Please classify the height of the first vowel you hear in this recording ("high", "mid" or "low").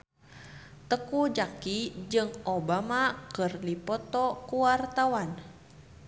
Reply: mid